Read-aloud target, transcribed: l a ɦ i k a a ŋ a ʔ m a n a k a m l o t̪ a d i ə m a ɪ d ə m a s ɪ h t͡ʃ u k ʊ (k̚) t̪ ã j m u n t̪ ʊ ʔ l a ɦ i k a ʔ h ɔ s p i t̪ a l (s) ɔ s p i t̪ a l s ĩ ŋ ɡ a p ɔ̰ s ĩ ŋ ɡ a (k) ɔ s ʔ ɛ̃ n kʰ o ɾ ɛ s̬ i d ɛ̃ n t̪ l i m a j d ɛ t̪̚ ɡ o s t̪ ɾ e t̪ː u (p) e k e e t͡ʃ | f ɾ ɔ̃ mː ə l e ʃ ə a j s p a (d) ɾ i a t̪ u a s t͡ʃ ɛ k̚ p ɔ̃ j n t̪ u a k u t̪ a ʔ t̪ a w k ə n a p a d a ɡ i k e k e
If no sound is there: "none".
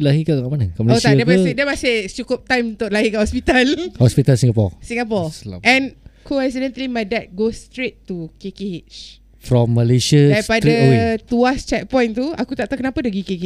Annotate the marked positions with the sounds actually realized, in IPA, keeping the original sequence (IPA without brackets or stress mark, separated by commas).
p̚, h, p, k, d